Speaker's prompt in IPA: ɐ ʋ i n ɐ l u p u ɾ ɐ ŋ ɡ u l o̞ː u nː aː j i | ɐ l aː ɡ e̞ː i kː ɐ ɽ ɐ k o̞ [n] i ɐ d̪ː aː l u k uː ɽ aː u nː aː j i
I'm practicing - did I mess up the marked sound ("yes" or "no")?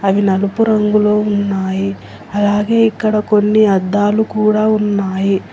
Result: yes